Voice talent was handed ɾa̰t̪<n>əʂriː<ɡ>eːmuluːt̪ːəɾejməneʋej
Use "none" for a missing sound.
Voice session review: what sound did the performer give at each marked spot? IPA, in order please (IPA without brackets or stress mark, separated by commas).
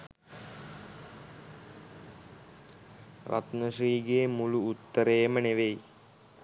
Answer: n, ɡ